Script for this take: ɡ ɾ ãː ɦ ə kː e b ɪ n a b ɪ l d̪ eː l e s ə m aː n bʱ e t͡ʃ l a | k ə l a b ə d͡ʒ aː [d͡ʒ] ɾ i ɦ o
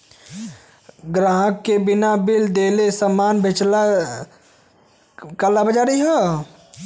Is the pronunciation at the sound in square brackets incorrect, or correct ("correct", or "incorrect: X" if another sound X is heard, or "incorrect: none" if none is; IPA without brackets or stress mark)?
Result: incorrect: none